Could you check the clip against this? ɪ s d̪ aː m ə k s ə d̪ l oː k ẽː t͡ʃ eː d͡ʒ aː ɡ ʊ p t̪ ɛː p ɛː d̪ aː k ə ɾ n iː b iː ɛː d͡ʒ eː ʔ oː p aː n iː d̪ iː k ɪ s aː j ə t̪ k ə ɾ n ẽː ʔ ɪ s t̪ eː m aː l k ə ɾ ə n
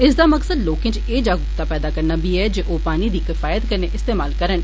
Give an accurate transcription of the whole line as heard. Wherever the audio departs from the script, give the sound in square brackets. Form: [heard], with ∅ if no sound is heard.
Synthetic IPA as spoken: ɪ s d̪ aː m ə k s ə d̪ l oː k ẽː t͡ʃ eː d͡ʒ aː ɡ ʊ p t̪ [aː] p ɛː d̪ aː k ə ɾ n [aː] b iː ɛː d͡ʒ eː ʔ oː p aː n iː d̪ iː k ɪ [f] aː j ə t̪ k ə ɾ n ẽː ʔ ɪ s t̪ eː m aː l k ə ɾ ə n